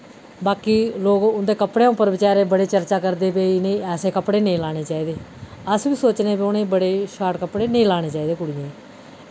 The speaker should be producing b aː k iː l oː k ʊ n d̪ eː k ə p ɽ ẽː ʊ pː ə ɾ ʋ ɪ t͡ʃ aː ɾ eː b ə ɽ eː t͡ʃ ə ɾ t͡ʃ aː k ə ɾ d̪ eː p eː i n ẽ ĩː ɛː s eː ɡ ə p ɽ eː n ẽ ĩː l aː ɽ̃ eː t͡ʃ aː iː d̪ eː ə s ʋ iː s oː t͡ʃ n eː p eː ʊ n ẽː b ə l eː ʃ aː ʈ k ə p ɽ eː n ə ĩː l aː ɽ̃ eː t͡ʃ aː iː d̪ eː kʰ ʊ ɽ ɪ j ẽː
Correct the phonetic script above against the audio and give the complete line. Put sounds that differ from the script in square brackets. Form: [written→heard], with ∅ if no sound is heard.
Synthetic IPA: b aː k iː l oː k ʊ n d̪ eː k ə p ɽ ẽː ʊ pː ə ɾ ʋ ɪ t͡ʃ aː ɾ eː b ə ɽ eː t͡ʃ ə ɾ t͡ʃ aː k ə ɾ d̪ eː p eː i n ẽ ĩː ɛː s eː [ɡ→k] ə p ɽ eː n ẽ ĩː l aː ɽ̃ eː t͡ʃ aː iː d̪ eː ə s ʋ iː s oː t͡ʃ n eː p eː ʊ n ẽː b ə [l→ɽ] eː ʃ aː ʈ k ə p ɽ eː n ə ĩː l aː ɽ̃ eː t͡ʃ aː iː d̪ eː [kʰ→k] ʊ ɽ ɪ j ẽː